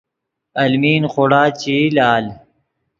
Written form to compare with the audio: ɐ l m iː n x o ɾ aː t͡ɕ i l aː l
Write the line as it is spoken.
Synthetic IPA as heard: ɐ l m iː n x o ɽ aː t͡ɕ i l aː l